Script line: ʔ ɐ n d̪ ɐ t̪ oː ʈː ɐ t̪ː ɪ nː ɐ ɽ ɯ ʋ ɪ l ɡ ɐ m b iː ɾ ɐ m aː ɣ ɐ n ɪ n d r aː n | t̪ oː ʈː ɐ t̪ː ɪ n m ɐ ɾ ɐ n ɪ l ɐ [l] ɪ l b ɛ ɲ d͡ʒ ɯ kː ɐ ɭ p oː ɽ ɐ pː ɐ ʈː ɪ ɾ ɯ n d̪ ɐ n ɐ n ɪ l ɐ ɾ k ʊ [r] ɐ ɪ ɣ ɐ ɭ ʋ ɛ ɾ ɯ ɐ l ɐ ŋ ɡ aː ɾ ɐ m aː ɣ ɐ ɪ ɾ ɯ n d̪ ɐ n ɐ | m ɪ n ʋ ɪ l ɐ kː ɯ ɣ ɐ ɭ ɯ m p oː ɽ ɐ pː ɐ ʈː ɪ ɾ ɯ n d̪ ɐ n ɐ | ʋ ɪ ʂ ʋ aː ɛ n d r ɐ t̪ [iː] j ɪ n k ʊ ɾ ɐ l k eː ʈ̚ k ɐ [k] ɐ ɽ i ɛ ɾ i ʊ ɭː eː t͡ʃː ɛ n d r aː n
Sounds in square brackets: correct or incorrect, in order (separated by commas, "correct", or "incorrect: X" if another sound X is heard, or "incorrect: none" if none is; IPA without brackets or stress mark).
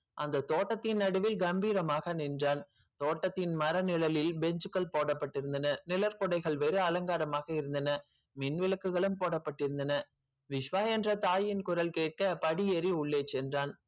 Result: correct, incorrect: ɽ, incorrect: aː, incorrect: p